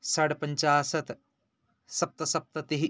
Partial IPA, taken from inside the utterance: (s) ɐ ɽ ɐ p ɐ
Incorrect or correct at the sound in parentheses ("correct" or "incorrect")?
correct